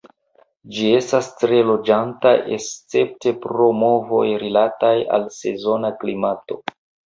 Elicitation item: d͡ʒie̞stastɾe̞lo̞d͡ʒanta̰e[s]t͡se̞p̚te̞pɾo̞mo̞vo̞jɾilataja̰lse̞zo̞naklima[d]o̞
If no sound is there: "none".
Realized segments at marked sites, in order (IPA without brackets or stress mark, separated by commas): s, t